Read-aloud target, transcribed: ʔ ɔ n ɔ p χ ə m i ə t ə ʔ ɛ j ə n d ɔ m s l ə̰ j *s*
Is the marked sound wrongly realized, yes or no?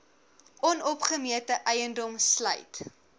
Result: yes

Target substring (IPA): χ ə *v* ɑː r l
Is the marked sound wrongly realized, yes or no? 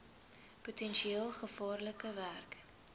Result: yes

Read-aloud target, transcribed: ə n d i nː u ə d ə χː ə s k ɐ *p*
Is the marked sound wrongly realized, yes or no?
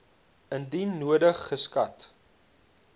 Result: yes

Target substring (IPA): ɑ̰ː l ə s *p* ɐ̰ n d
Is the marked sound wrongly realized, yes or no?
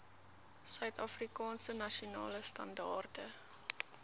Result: yes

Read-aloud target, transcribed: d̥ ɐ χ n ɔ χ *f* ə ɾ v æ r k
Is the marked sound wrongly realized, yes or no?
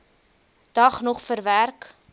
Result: no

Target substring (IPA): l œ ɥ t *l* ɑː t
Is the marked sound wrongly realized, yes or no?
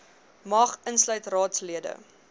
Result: yes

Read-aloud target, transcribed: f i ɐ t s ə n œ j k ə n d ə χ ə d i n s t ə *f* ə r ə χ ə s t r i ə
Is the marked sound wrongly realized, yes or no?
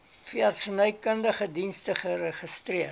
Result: yes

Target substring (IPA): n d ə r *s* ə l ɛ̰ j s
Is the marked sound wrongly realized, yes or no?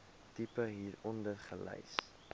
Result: yes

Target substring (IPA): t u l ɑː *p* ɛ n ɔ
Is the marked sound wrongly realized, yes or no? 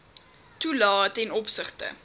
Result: yes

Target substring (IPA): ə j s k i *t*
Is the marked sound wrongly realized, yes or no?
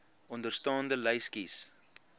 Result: yes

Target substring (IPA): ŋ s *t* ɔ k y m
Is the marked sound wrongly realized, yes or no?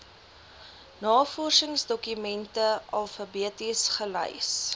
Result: yes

